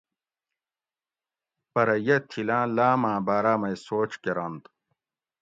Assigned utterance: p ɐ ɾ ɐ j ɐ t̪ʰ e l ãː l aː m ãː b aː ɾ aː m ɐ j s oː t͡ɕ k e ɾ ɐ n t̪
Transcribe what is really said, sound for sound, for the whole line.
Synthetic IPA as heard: p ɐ ɾ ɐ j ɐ t̪ʰ i l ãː l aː m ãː b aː ɾ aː m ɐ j s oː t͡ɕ k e ɾ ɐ n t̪